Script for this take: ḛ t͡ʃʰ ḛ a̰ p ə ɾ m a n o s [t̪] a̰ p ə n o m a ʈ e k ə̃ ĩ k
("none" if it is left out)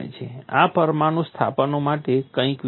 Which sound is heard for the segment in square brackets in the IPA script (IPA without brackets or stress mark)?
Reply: t̪ʰ